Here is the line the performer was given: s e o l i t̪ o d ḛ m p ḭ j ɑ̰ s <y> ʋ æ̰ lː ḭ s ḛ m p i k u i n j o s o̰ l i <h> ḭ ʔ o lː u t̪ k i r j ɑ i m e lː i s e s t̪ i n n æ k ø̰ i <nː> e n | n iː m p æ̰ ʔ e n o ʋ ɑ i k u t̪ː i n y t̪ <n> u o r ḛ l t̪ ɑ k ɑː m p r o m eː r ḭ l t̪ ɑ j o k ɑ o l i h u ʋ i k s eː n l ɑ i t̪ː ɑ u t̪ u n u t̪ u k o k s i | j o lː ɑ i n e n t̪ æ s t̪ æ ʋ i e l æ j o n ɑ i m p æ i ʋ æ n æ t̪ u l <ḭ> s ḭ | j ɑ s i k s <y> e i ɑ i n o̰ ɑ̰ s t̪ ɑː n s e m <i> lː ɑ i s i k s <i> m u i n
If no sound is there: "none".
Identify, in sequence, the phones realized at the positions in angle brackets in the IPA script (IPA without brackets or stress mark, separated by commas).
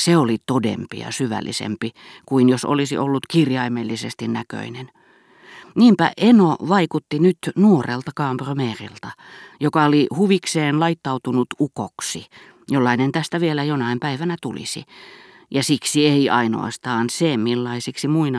y, s, n, n, ḭ, i, i, i